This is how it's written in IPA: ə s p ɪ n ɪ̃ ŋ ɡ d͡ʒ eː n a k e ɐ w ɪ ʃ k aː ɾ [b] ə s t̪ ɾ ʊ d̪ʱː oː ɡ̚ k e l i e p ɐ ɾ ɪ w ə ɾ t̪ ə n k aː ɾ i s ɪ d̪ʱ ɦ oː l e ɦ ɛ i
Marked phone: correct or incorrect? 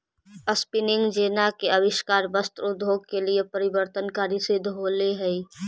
correct